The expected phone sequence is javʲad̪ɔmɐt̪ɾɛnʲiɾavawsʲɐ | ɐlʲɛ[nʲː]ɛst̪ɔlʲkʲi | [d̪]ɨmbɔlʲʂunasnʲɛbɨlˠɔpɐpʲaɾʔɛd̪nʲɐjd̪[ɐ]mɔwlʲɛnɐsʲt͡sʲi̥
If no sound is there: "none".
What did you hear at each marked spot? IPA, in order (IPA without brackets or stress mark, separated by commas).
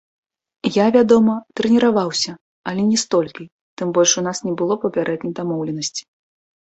nʲ, t̪, a